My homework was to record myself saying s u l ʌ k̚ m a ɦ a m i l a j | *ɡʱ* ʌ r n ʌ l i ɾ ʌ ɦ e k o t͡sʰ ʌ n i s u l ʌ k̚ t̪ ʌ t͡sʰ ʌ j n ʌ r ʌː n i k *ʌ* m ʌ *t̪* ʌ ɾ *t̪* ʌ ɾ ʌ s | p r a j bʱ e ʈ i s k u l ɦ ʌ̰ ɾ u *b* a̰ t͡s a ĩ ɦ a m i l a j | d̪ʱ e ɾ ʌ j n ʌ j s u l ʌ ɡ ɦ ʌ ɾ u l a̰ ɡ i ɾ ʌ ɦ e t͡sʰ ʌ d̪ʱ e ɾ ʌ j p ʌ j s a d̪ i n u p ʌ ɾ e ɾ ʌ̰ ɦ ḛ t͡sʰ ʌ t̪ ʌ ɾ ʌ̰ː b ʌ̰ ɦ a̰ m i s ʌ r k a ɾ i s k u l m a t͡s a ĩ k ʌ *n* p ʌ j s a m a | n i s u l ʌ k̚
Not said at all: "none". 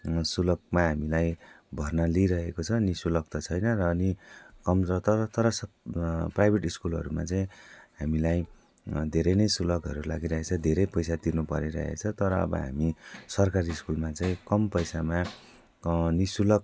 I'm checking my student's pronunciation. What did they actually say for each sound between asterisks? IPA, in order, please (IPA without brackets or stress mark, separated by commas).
bʱ, ʌ, t̪, t̪, m, m